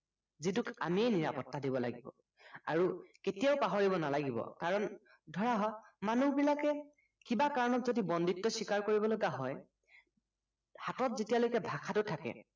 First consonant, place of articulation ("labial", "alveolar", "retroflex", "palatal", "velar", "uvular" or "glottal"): alveolar